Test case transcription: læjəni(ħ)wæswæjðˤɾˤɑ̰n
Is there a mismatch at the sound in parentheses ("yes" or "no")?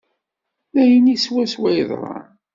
yes